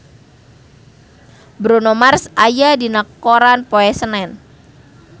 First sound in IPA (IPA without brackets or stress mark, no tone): b